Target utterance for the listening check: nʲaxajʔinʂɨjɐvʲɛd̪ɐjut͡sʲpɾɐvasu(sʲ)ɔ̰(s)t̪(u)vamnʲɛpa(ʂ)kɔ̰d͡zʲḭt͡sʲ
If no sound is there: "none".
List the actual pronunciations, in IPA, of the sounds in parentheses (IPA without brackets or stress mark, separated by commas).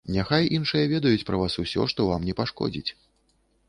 sʲ, ʂ, ɔ, ʂ